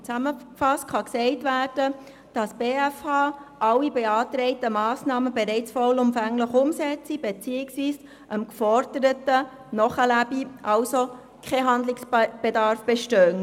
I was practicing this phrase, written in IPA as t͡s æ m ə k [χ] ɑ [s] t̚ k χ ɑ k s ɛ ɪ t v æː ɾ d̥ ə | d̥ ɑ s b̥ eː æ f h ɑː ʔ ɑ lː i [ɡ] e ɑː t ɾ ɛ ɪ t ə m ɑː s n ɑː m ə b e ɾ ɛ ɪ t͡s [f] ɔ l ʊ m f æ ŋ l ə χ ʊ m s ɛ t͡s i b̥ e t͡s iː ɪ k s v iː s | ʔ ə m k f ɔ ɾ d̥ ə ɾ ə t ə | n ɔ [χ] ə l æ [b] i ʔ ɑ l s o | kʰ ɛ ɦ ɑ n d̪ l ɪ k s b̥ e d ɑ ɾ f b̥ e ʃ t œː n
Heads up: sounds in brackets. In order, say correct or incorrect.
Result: incorrect: f, correct, incorrect: b, correct, correct, correct

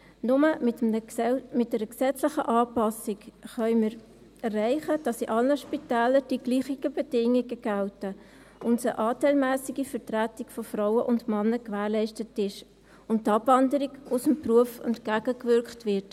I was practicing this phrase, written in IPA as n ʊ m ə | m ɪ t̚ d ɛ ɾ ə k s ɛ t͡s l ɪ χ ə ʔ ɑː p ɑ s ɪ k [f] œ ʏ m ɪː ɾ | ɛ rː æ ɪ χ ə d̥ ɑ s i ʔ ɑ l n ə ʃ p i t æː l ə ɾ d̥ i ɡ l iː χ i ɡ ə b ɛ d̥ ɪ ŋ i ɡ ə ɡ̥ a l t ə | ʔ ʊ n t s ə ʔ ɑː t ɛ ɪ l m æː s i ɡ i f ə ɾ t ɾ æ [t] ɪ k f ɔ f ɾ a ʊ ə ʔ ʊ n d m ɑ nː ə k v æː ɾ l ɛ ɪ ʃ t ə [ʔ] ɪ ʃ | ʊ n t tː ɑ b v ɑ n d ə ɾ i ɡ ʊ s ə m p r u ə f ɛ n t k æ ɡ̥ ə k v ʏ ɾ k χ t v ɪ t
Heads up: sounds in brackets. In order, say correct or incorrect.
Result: incorrect: χ, correct, incorrect: t

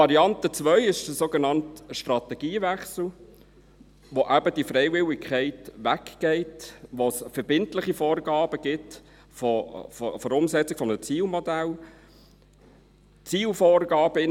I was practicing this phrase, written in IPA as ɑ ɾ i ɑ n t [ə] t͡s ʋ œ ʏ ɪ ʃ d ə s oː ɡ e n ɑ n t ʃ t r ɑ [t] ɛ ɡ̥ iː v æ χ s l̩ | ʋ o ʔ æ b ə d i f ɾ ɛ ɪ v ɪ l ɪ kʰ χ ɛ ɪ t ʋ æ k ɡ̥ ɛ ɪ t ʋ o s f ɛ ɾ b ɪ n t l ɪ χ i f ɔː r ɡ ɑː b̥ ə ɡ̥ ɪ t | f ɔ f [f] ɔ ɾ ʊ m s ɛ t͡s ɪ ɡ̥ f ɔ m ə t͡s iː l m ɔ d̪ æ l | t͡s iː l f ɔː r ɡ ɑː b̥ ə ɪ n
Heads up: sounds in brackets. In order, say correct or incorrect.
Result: correct, correct, correct

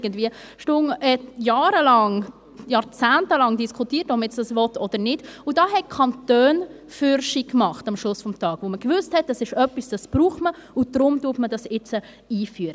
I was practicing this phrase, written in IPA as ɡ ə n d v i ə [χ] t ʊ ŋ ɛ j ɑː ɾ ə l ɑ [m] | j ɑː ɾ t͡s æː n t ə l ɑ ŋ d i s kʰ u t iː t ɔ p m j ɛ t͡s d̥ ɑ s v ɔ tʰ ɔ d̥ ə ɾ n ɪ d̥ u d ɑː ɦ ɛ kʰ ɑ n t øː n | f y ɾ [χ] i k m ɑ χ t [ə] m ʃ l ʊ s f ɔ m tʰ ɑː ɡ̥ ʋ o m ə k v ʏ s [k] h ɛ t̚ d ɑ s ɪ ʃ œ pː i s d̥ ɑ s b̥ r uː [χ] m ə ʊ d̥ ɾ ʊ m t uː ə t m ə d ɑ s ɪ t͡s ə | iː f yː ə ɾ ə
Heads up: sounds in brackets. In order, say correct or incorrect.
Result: incorrect: ʃ, incorrect: ŋ, incorrect: ʃ, incorrect: ɑ, incorrect: t, correct

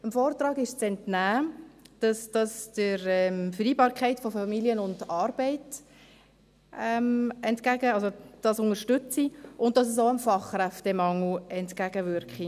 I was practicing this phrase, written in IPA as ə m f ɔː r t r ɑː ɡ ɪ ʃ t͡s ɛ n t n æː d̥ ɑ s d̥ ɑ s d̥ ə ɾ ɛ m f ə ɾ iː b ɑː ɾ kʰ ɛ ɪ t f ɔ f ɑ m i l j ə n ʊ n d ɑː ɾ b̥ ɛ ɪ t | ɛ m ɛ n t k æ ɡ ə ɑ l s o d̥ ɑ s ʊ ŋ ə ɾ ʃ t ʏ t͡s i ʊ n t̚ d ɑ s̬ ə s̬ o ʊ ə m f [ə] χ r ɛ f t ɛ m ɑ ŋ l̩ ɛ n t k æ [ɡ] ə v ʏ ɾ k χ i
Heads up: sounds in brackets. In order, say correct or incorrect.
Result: incorrect: ɑ, correct

